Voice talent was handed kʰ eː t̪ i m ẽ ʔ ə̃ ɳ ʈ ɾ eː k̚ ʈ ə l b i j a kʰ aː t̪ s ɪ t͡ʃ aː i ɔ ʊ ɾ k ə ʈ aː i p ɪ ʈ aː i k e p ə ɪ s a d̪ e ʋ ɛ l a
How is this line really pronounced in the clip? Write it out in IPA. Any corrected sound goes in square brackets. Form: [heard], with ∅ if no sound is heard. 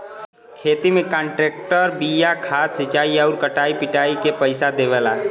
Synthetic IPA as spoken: kʰ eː t̪ i m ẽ [k] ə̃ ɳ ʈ ɾ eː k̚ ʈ ə [ɾ] b i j a kʰ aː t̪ s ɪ t͡ʃ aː i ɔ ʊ ɾ k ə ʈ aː i p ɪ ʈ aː i k e p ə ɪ s a d̪ e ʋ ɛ l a